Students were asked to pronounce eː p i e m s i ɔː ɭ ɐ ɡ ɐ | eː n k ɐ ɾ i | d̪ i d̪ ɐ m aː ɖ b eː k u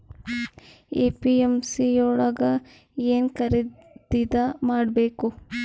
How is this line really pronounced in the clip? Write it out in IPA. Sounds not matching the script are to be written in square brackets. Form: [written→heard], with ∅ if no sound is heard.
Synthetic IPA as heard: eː p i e m s i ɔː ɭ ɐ ɡ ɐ | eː n k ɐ ɾ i | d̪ i d̪ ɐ m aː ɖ b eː k u